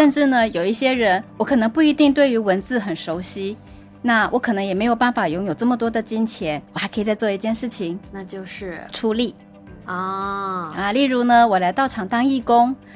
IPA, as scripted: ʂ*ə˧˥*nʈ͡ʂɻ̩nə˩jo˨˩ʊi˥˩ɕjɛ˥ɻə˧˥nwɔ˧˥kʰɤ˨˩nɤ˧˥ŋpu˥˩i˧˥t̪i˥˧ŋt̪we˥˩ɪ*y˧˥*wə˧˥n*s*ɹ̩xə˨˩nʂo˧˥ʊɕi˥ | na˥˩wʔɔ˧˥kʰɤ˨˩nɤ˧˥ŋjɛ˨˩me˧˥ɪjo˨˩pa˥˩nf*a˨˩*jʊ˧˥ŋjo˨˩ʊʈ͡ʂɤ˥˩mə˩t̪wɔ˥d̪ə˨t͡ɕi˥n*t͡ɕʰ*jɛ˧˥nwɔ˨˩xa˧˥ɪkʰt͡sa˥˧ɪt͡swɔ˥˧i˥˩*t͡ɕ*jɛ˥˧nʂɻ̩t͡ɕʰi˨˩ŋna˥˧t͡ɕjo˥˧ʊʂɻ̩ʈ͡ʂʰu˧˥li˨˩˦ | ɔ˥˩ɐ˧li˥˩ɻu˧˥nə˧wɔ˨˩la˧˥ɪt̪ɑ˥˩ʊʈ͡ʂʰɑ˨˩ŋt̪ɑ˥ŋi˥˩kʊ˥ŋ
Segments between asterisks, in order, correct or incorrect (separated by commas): incorrect, correct, incorrect, correct, correct, correct